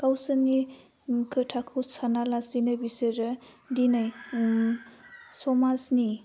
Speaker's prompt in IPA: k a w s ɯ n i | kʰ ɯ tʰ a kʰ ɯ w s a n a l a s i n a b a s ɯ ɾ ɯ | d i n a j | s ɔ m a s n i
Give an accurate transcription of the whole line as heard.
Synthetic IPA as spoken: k a w s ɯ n i | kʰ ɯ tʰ a kʰ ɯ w s a n a l a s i n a b i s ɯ ɾ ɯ | d i n a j | s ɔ m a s n i